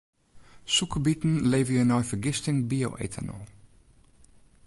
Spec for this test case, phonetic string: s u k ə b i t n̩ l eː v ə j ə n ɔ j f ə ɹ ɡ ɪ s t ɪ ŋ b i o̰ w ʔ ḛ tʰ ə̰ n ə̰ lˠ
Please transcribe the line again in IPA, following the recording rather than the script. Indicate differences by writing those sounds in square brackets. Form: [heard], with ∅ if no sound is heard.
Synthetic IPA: s u k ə b i t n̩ l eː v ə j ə n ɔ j f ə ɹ ɡ ɪ s t ɪ ŋ b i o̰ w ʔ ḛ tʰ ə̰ n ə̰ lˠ